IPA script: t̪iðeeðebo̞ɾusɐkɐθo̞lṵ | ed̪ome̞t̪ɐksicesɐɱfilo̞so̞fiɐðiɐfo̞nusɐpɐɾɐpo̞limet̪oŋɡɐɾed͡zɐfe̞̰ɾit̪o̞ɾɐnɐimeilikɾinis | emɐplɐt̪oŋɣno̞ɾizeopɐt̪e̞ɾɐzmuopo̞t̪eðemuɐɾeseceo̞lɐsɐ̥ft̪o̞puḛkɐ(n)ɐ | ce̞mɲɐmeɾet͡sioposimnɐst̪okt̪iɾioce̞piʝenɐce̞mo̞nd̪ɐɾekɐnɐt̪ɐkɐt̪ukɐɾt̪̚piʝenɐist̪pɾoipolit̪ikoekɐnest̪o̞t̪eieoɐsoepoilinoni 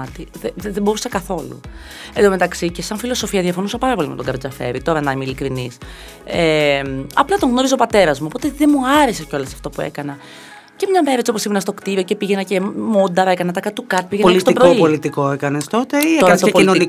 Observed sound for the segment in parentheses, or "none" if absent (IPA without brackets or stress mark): n